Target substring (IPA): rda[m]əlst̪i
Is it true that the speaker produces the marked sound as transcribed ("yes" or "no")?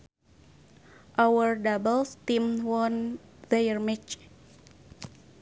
no